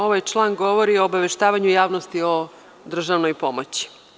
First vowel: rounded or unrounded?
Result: rounded